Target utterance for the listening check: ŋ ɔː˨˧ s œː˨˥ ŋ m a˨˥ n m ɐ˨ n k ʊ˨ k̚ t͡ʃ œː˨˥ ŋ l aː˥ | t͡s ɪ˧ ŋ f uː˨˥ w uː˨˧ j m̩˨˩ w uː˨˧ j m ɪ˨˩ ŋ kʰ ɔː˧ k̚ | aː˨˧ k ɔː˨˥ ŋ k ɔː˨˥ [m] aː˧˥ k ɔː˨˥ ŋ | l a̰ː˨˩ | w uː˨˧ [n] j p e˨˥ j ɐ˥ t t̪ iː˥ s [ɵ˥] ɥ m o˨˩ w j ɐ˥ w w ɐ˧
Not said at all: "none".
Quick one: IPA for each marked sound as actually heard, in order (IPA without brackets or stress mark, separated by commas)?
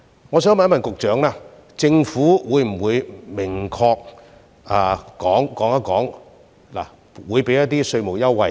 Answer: ŋ, none, ɵ˧